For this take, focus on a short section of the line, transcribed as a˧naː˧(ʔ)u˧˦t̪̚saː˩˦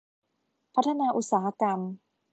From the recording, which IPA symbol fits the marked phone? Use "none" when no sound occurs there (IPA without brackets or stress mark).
ʔ